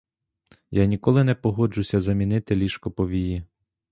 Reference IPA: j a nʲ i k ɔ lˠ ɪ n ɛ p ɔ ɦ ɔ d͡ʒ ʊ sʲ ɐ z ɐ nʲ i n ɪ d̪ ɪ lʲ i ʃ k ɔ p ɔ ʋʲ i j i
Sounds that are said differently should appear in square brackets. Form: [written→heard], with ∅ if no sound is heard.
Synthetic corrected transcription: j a nʲ i k ɔ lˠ ɪ n ɛ p ɔ ɦ ɔ d͡ʒ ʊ sʲ ɐ z ɐ [nʲ→mʲ] i n ɪ [d̪→t̪] ɪ lʲ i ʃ k ɔ p ɔ ʋʲ i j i